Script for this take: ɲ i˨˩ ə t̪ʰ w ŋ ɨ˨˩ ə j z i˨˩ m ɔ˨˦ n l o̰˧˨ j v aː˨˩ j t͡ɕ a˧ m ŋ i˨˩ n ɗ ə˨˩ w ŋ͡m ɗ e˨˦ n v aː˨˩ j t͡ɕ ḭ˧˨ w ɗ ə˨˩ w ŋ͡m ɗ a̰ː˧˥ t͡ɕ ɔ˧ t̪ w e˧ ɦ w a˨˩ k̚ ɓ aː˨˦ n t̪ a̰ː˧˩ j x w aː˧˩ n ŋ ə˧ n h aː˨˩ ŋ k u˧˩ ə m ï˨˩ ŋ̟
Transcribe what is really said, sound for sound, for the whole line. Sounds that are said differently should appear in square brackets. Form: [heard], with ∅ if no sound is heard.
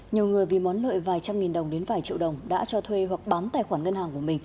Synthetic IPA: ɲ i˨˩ ə [∅] w ŋ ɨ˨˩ ə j [v] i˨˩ m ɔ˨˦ n l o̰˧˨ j v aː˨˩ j t͡ɕ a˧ m ŋ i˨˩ n ɗ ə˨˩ w ŋ͡m ɗ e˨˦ n v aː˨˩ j t͡ɕ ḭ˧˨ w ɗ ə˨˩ w ŋ͡m ɗ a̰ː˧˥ t͡ɕ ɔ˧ [t̪ʰ] w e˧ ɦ w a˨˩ k̚ ɓ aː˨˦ n t̪ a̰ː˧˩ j x w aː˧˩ n ŋ ə˧ n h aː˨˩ ŋ k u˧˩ ə m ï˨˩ ŋ̟